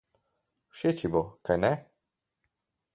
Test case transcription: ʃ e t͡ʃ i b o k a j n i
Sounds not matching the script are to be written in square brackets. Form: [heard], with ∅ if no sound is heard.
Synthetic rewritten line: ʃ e t͡ʃ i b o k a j n [ɛ]

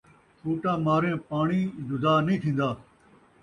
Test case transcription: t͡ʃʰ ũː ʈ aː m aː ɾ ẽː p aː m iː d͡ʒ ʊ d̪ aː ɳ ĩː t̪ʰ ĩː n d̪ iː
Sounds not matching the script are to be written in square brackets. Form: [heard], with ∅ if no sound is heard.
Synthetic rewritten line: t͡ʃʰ [uː] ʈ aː m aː ɾ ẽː p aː [ɳ] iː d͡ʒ ʊ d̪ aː [n] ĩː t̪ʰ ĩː n d̪ [aː]

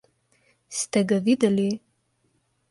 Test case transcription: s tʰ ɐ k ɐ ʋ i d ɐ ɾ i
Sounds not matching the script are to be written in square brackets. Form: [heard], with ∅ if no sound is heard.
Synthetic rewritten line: s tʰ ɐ [ɡ] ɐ [v] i d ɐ [l] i

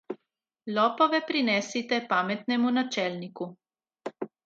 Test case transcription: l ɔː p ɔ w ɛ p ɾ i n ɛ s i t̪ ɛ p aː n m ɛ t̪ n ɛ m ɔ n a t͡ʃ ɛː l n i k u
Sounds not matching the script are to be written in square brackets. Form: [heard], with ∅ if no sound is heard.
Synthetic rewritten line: l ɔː p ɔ [ʋ] ɛ p ɾ i n ɛ s i t̪ ɛ p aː [∅] m ɛ t̪ n ɛ m [u] n a t͡ʃ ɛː l n i k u

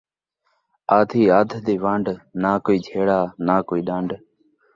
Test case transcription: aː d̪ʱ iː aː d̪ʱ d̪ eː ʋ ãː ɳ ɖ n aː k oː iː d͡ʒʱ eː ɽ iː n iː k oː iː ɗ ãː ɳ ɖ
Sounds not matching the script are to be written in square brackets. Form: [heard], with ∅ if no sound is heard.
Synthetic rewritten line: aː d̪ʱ iː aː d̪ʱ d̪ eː ʋ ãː ɳ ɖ n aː k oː iː d͡ʒʱ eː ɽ [aː] n [aː] k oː iː ɗ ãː ɳ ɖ

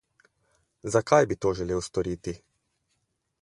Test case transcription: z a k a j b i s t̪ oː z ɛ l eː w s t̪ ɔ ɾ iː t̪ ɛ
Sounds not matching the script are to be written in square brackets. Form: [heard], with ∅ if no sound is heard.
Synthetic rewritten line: z a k a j b i [∅] t̪ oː [ʒ] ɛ l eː w s t̪ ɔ ɾ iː t̪ [i]

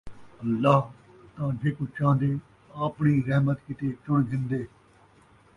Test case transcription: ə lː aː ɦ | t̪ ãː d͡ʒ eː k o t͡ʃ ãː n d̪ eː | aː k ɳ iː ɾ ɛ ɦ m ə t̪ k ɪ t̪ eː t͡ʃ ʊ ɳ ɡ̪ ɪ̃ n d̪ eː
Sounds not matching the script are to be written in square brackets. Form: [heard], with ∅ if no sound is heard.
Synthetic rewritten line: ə lː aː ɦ | t̪ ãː d͡ʒ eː k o t͡ʃ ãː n d̪ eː | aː [p] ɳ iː ɾ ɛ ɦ m ə t̪ k ɪ t̪ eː t͡ʃ ʊ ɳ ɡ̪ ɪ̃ n d̪ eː

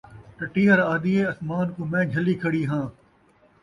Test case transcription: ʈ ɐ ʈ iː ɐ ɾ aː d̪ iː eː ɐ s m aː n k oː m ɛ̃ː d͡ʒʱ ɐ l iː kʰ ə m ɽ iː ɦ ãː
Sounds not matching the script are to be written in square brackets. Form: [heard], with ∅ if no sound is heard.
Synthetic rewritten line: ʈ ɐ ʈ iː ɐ ɾ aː d̪ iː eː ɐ s m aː n k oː m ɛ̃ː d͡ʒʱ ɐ l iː kʰ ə [∅] ɽ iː ɦ ãː

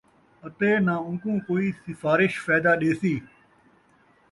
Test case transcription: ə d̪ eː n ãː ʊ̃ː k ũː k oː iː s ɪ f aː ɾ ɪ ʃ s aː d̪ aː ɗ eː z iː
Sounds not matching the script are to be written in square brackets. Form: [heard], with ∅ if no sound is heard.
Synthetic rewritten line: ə [t̪] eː n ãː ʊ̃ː k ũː k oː iː s ɪ f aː ɾ ɪ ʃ [f] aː d̪ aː ɗ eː [s] iː

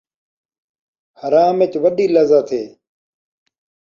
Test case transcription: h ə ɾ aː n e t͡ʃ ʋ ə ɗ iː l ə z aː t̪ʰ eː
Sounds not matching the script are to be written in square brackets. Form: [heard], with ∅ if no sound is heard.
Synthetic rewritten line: h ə ɾ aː [m] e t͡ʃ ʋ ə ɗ iː l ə z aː t̪ʰ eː

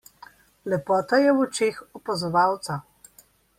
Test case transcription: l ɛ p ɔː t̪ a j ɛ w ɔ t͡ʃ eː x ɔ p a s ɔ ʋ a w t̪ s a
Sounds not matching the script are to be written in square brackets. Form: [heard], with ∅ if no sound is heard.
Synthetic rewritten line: l ɛ p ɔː t̪ a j ɛ w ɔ t͡ʃ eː x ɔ p a [z] ɔ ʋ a w t̪ s a

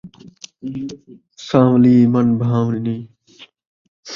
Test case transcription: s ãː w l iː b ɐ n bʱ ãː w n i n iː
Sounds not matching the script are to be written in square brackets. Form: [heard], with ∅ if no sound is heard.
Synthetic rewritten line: s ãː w l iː [m] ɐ n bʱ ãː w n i n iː

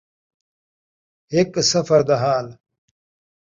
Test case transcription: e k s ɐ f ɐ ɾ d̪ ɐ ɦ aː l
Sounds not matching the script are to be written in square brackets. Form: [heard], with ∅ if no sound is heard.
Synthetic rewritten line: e k s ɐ f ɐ ɾ d̪ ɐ ɦ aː l

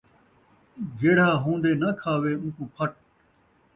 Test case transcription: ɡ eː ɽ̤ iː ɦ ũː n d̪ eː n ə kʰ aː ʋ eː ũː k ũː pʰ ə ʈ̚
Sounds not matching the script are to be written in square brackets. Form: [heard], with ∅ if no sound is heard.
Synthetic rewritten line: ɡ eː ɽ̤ [aː] ɦ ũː n d̪ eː n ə kʰ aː ʋ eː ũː k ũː pʰ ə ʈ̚

